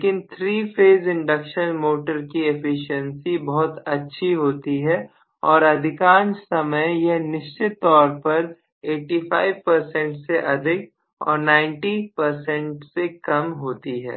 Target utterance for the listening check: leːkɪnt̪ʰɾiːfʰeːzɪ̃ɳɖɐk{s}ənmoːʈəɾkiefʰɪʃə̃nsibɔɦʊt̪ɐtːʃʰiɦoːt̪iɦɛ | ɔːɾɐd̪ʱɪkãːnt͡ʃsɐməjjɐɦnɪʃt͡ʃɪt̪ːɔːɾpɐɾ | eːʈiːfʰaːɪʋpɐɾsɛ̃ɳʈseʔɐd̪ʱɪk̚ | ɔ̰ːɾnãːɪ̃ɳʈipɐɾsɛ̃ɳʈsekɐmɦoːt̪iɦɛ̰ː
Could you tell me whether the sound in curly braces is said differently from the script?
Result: yes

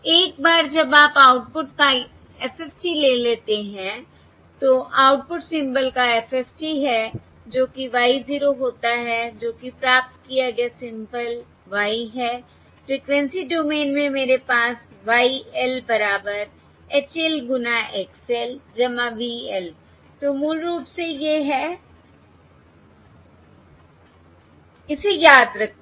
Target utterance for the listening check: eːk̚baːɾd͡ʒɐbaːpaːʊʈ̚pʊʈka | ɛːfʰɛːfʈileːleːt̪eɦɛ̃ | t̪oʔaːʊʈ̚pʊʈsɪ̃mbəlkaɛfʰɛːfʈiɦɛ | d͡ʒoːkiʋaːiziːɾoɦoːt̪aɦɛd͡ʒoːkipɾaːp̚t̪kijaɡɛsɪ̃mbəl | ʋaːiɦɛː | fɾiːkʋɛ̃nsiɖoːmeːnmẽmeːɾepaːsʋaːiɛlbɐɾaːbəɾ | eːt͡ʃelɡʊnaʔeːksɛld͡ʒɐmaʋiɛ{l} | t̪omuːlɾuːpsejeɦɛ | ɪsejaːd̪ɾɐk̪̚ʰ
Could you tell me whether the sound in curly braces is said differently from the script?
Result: no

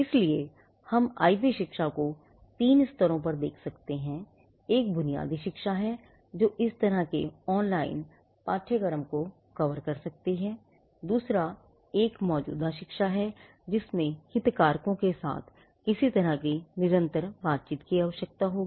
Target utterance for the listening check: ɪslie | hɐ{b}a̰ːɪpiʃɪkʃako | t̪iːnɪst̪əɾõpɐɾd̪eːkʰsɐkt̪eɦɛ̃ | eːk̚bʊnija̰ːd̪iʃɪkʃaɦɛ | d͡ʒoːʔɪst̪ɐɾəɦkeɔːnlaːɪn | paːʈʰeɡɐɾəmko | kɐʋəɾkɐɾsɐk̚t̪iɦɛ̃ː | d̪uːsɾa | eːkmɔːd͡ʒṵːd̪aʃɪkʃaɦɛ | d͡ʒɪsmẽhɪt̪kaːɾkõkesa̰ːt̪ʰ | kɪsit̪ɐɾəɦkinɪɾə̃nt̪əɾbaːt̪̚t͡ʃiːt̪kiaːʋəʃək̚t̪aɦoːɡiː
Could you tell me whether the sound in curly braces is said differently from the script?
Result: yes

